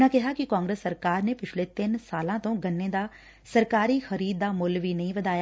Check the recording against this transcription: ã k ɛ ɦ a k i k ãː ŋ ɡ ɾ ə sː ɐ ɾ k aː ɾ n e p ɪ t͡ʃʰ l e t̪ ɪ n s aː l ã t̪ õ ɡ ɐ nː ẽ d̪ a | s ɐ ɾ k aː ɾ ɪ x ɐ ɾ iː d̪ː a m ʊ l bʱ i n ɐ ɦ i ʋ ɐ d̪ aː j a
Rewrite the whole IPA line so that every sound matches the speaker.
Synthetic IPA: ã k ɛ ɦ a k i k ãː ŋ ɡ ɾ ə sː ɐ ɾ k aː ɾ n e p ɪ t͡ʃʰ l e t̪ ɪ n s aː l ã t̪ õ ɡ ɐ nː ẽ d̪ a | s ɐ ɾ k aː ɾ i x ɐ ɾ iː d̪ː a m ʊ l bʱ i n ɐ ɦ ĩ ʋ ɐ d̪ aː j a